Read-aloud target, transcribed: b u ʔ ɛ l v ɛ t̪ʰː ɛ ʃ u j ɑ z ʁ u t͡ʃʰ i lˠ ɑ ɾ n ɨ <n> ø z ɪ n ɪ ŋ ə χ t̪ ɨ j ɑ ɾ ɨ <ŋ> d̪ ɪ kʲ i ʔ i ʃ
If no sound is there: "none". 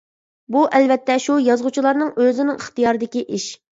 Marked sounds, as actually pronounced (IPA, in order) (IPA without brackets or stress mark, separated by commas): ŋ, none